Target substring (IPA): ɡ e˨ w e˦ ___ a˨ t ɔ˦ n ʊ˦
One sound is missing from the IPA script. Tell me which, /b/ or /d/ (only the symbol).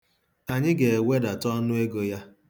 d